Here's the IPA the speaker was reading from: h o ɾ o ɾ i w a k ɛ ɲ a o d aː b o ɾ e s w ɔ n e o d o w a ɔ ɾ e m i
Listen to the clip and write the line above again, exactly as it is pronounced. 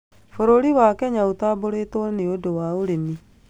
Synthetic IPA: f o ɾ o ɾ i w a k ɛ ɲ a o t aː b o ɾ e t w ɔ n e o d o w a o ɾ e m i